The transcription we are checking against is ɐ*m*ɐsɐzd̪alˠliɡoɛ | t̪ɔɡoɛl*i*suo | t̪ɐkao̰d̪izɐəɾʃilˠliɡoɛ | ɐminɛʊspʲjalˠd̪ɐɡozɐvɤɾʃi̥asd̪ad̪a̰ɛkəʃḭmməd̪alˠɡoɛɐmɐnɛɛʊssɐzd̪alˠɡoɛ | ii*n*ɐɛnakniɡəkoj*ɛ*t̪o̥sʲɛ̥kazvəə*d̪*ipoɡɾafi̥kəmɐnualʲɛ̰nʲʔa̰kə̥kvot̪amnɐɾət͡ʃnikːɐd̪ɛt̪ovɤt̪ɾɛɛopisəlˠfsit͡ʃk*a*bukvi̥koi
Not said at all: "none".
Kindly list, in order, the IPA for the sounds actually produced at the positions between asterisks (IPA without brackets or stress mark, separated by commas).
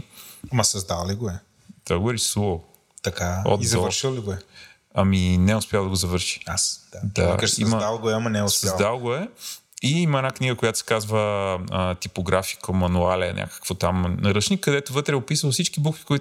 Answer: m, i, m, a, t̪, i